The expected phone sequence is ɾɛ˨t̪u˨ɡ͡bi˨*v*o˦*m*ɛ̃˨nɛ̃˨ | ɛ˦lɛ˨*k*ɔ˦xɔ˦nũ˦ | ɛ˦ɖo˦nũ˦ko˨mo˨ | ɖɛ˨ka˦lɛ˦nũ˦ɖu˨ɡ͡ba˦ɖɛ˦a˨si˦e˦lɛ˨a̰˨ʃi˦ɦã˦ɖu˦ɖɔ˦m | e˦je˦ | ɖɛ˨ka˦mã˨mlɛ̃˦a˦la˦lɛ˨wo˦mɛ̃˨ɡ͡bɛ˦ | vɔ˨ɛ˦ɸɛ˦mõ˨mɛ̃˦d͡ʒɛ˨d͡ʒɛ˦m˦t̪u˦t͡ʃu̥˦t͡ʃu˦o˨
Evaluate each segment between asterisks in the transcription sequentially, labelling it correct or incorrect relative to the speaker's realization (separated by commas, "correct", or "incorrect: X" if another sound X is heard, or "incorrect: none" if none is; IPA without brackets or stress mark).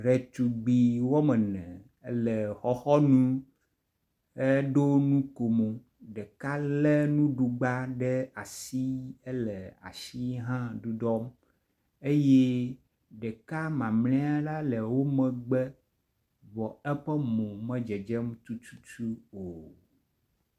incorrect: w, correct, incorrect: x